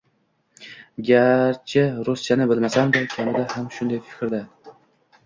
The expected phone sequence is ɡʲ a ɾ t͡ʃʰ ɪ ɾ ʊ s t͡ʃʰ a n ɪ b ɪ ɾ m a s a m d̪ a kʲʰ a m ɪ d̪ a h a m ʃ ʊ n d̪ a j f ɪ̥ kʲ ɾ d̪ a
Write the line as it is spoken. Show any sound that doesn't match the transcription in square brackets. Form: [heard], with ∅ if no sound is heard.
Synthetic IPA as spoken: ɡʲ a ɾ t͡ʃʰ ɪ ɾ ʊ s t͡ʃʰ a n ɪ b ɪ [l] m a s a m d̪ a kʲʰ a m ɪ d̪ a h a m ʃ ʊ n d̪ a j f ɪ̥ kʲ ɾ d̪ a